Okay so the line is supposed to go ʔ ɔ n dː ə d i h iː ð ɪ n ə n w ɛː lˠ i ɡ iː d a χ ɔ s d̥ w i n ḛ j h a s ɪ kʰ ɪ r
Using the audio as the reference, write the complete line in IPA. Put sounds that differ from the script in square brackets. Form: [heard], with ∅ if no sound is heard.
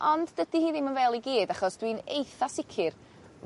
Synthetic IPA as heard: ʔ ɔ n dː ə d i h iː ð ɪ [m] ə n [v] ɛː lˠ i ɡ iː d a χ ɔ s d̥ w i n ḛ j [θ] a s ɪ kʰ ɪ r